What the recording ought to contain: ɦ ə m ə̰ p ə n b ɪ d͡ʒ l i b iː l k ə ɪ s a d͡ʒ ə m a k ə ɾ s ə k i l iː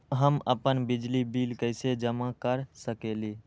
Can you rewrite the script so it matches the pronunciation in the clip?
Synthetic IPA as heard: ɦ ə m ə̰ p ə n b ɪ d͡ʒ l i b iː l k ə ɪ s e d͡ʒ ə m a k ə ɾ s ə k e l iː